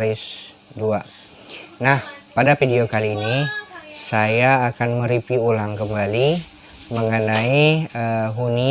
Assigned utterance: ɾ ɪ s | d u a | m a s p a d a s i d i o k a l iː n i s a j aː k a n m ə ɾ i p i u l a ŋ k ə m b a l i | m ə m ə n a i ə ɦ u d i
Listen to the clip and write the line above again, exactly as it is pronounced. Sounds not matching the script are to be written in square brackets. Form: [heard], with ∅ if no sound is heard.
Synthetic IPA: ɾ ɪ s | d u a | [n] a [h] p a d a [f] i d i o k a l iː n i s a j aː k a n m ə ɾ i p i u l a ŋ k ə m b a l i | m ə [ŋ] ə n a i ə ɦ u [n] i

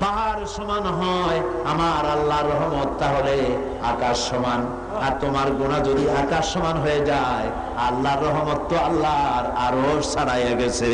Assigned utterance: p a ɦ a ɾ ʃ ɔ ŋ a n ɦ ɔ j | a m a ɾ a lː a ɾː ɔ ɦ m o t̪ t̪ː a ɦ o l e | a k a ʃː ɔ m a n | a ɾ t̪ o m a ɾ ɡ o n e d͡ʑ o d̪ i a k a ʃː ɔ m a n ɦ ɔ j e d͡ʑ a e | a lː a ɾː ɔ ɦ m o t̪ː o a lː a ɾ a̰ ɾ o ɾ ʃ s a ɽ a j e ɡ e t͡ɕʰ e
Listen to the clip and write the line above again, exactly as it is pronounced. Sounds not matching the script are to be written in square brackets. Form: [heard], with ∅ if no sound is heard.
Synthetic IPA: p a ɦ a ɾ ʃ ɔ [m] a n ɦ ɔ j | a m a ɾ a lː a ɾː ɔ ɦ m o t̪ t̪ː a ɦ o l e | a k a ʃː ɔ m a n | a ɾ t̪ o m a ɾ ɡ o n [a] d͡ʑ o d̪ i a k a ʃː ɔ m a n ɦ [o] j e d͡ʑ a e | a lː a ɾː ɔ ɦ m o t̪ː o a lː a ɾ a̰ ɾ o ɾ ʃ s a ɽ a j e ɡ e t͡ɕʰ e

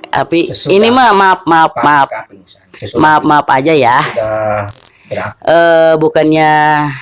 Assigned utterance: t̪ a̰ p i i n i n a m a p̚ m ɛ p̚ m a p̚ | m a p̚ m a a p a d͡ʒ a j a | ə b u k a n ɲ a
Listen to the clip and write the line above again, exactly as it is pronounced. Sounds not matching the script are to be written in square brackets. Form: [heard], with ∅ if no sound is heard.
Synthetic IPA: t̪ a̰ p i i n i [m] a m a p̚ m [a] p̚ m a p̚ | m a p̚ m a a p a d͡ʒ a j a | ə b u k a n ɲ a

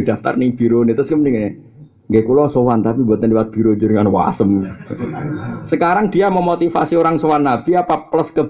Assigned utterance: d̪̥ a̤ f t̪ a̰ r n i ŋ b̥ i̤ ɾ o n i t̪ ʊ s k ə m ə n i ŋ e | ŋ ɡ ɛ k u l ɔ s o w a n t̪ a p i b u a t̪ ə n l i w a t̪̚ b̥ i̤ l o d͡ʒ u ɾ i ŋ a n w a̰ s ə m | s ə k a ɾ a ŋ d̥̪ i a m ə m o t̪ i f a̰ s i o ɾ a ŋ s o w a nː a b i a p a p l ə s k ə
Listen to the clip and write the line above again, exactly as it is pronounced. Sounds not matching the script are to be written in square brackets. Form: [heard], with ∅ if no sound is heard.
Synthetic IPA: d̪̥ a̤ f t̪ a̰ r n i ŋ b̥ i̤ ɾ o n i t̪ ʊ s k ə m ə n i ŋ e | ŋ ɡ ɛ k u l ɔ s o w a n t̪ a p i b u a t̪ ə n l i w a t̪̚ b̥ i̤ [ɾ] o d͡ʒ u ɾ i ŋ a n w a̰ s ə m | s ə k a ɾ a ŋ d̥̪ i a m ə m o t̪ i f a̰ s i o ɾ a ŋ s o w a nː a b i a p a p l ə s k ə

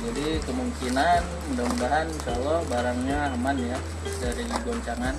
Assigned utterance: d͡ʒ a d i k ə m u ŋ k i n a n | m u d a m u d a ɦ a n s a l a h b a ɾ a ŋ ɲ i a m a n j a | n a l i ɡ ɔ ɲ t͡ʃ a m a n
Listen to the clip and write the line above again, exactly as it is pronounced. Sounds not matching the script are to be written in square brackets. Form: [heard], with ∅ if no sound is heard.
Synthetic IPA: d͡ʒ a d i k ə m u ŋ k i n a n | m u d a m u d a ɦ a n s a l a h b a ɾ a ŋ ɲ [a] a m a n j a | [d] a [ɾ] i ɡ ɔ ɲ t͡ʃ a [ŋ] a n

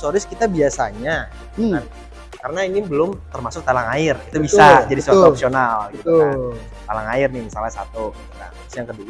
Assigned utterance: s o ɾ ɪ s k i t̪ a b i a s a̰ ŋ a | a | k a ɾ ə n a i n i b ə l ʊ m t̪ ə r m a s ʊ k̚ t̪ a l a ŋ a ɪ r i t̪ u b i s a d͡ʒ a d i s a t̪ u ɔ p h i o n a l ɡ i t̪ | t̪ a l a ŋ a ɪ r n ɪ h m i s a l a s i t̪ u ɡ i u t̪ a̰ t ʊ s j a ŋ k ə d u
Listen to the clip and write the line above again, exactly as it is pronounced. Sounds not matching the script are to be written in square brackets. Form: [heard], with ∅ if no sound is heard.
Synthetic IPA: s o ɾ ɪ s k i t̪ a b i a s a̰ [ɲ] a | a | k a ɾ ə n a i n i b ə l ʊ m t̪ ə r m a s ʊ k̚ t̪ a l a ŋ a ɪ r i t̪ u b i s a d͡ʒ a d i s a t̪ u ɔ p [s] i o n a l ɡ i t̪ | t̪ a l a ŋ a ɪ r n ɪ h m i s a l a s [a] t̪ u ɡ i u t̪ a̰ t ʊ s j a ŋ k ə d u

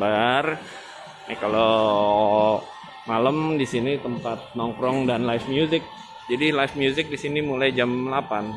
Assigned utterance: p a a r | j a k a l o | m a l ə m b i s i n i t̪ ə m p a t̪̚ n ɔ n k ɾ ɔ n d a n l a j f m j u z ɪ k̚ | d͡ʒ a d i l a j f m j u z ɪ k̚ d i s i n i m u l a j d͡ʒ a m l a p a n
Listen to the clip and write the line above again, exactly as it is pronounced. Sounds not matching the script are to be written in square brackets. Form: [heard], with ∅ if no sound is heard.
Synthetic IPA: [b] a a r | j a k a l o | m a l ə m [d] i s i n i t̪ ə m p a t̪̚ n ɔ [ŋ] k ɾ ɔ [ŋ] d a n l a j f m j u z ɪ k̚ | d͡ʒ a d i l a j f m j u z ɪ k̚ d i s i n i m u l a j d͡ʒ a m l a p a n

